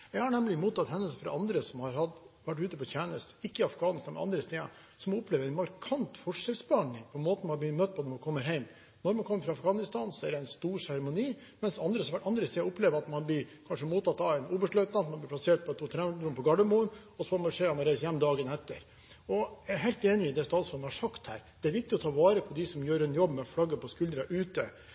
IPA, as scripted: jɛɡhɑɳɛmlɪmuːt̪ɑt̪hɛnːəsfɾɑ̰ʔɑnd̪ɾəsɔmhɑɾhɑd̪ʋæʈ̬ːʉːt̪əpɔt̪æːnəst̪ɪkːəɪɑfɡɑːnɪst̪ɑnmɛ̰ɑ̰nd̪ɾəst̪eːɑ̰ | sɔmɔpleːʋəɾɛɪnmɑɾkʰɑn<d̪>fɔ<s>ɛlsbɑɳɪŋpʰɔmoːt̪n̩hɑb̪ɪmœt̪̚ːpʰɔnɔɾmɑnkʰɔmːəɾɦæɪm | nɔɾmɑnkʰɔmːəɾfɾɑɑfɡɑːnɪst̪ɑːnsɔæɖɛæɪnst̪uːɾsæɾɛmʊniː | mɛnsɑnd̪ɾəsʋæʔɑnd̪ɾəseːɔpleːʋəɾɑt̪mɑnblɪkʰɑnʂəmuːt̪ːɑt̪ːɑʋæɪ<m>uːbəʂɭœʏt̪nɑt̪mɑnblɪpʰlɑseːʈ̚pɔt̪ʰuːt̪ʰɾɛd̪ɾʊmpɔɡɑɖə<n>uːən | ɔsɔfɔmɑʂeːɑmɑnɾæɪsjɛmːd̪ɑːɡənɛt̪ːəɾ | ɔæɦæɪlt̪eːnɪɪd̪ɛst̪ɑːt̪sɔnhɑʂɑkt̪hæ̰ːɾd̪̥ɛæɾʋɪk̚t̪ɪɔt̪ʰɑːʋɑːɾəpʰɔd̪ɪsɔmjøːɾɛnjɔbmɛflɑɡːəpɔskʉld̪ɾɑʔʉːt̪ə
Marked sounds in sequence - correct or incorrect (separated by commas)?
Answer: incorrect, incorrect, incorrect, incorrect